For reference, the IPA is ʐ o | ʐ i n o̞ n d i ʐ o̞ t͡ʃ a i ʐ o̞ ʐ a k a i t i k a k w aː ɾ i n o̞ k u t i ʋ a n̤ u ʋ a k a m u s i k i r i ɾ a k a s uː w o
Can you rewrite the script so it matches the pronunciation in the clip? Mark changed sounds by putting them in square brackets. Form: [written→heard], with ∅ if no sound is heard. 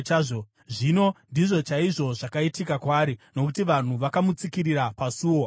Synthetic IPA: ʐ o | ʐ i n o̞ n d i ʐ o̞ t͡ʃ a i ʐ o̞ ʐ a k a i t i k a k w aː ɾ i n o̞ k u t i ʋ a n̤ u ʋ a k a m u [s→t͡s] i k i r i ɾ a [k→p] a s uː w o